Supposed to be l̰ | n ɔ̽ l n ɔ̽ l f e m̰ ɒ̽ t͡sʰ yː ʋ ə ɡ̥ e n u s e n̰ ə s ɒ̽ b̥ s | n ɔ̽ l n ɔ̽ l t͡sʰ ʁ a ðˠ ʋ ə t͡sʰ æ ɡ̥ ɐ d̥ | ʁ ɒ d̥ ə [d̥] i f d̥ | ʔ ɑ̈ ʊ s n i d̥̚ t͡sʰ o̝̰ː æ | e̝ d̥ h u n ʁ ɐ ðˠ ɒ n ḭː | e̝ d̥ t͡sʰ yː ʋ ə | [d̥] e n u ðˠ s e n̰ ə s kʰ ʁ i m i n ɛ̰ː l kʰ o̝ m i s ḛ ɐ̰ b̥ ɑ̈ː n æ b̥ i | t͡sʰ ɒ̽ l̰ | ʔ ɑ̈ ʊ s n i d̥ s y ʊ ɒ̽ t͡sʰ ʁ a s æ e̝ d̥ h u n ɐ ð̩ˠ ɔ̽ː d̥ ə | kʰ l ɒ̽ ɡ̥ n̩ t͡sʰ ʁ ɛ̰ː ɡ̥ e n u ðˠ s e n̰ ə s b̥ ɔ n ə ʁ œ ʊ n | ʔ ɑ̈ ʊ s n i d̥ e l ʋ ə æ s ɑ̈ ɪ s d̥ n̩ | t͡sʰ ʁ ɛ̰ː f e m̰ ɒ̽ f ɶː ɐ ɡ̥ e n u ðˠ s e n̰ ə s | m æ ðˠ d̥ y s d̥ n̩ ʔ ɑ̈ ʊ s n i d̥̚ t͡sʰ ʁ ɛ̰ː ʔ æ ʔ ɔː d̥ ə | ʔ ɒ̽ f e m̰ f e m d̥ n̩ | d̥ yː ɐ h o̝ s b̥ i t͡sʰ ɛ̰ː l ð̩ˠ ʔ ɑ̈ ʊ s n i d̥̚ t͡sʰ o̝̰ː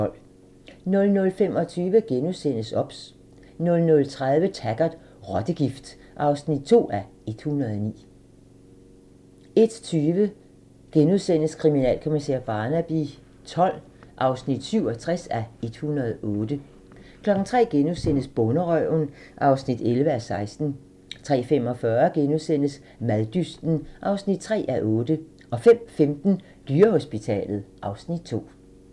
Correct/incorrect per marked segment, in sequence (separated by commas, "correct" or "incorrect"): incorrect, incorrect